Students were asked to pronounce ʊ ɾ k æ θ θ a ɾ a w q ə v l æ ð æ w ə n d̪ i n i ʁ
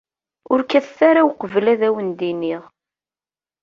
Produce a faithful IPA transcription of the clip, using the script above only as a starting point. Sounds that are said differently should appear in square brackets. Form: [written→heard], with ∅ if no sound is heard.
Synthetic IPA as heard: ʊ ɾ k æ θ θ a ɾ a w q ə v l æ ð æ w ə n d̪ i n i ʁ